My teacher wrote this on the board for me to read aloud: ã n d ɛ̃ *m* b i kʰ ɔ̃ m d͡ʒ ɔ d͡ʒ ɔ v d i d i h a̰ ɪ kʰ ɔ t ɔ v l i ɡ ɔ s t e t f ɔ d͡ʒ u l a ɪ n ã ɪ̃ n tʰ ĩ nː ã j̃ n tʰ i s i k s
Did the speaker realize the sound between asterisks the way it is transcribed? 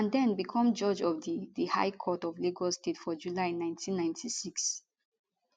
no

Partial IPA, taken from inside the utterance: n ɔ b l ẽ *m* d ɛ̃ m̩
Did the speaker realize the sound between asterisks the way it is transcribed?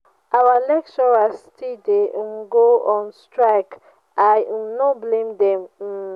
yes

